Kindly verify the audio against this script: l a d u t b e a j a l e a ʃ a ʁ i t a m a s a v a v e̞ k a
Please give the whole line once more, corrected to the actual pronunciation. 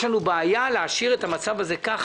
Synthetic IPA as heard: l a n u b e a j a l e a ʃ i ʁ e t a m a t͡s a v a z e̞ k a